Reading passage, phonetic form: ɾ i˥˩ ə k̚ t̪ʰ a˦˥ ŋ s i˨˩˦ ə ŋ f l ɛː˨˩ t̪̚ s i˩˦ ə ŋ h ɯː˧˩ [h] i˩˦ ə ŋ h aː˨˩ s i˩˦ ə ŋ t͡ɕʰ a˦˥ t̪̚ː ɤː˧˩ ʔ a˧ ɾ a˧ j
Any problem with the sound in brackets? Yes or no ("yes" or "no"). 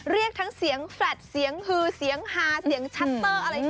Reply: yes